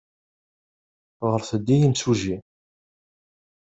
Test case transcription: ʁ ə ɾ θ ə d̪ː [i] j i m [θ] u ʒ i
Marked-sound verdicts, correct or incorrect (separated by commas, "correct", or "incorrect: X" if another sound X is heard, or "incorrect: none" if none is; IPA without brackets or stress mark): correct, incorrect: s